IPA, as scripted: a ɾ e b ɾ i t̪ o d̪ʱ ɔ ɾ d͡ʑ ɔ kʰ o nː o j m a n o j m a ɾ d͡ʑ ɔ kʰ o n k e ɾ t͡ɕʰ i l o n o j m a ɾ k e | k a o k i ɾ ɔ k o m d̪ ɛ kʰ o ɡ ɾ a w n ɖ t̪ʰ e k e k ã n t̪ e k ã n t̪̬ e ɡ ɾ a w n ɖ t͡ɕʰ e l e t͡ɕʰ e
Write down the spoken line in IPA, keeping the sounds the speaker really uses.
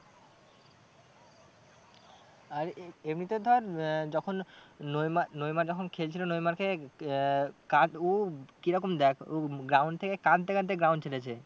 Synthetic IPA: a ɾ e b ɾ i t̪ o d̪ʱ ɔ ɾ d͡ʑ ɔ kʰ o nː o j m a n o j m a ɾ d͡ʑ ɔ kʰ o n kʰ e l t͡ɕʰ i l o n o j m a ɾ k e | k a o k i ɾ ɔ k o m d̪ ɛ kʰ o ɡ ɾ a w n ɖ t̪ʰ e k e k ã n t̪ e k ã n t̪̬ e ɡ ɾ a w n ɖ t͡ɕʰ e l e t͡ɕʰ e